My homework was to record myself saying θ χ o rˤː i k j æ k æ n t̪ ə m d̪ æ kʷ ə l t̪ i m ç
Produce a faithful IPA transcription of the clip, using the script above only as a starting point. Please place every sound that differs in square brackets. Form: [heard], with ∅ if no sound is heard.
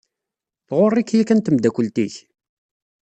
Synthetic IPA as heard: θ [ʁ] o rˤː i k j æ k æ n t̪ ə m d̪ æ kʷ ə l t̪ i [∅] ç

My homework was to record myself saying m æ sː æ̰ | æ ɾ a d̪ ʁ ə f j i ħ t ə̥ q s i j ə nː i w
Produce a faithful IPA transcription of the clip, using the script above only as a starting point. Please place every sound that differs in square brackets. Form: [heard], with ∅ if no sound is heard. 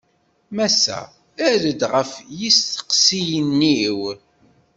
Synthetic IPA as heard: m æ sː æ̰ | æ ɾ [ə] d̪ ʁ ə f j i [s] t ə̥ q s i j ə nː i w

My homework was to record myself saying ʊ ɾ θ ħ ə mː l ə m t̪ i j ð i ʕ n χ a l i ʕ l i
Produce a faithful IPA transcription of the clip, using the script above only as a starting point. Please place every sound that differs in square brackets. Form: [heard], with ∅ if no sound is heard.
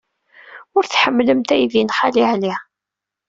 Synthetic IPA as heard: ʊ ɾ θ ħ ə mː l ə m t̪ [æ] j ð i [∅] n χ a l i ʕ l i

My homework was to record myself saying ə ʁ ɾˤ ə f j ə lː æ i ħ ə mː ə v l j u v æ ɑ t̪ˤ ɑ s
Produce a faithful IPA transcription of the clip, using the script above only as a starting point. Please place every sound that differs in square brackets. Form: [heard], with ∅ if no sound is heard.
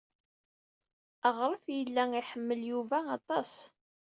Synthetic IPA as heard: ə ʁ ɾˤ ə f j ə lː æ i ħ ə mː ə [∅] l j u v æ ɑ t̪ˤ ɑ s

